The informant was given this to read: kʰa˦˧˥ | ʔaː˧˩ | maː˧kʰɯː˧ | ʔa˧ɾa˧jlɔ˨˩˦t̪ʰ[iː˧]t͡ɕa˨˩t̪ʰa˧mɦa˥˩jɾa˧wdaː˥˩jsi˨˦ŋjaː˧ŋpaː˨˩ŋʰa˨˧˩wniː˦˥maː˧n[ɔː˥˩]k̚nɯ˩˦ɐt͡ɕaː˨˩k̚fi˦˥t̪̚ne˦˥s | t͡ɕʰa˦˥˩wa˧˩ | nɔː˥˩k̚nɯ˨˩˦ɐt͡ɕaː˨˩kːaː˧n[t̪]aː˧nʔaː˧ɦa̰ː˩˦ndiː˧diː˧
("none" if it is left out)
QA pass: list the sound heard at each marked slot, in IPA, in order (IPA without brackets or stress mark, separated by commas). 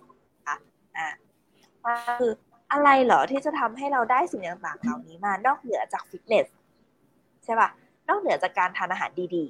iː˥˩, ɔː˥˩, t̪ʰ